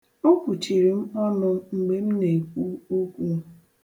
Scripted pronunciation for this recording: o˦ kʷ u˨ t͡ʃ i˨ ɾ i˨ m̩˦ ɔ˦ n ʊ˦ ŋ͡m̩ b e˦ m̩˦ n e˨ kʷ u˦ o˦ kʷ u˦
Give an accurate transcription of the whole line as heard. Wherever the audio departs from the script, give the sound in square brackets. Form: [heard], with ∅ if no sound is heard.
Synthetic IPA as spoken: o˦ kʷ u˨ t͡ʃ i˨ ɾ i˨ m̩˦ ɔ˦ n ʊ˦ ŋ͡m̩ [ɡ͡b] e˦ m̩˦ n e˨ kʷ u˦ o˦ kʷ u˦